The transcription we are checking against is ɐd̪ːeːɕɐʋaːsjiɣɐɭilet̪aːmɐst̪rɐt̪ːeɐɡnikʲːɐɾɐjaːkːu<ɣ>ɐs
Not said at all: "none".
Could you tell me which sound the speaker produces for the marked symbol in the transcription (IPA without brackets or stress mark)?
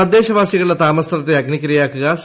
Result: ɣ